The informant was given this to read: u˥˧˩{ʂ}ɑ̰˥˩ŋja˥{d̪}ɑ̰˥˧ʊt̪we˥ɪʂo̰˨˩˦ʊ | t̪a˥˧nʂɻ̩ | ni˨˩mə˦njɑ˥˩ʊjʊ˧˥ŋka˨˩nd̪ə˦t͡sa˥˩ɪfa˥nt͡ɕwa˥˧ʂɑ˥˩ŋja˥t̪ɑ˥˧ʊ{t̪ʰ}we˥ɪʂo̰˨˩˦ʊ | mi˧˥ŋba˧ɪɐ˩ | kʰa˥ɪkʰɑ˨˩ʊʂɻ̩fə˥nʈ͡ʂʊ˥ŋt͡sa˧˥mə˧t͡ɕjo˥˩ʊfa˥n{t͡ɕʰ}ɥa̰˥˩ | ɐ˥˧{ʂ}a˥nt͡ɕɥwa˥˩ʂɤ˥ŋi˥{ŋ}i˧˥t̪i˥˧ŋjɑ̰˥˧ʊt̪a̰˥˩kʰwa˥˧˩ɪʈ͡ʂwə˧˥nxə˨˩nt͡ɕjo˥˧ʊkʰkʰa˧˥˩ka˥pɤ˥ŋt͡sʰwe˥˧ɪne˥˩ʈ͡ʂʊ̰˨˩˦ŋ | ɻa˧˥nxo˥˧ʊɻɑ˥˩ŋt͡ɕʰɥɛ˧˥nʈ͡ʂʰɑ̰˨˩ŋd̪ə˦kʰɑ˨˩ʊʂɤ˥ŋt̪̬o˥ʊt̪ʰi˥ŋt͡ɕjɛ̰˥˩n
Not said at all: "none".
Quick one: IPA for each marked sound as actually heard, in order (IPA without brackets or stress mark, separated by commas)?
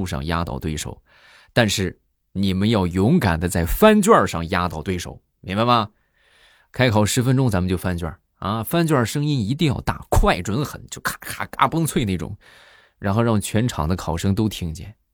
ʂ, t̪, t̪, t͡ɕ, f, n